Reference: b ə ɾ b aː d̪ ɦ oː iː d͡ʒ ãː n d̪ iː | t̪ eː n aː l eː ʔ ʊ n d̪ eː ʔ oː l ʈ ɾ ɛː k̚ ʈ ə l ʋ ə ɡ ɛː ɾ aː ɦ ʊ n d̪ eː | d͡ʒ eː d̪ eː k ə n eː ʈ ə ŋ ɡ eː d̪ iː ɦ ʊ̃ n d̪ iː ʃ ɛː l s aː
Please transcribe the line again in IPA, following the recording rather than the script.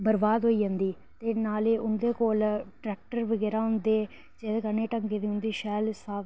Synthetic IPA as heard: b ə ɾ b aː d̪ ɦ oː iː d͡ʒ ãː n d̪ iː | t̪ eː n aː l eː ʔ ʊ n d̪ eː k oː l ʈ ɾ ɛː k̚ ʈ ə ɾ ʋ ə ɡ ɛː ɾ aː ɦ ʊ n d̪ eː | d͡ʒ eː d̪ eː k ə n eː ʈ ə ŋ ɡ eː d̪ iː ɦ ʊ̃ n d̪ iː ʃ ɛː l s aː